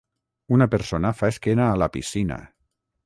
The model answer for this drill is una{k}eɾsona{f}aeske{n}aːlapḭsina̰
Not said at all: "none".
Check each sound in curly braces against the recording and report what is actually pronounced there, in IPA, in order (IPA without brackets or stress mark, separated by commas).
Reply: p, f, n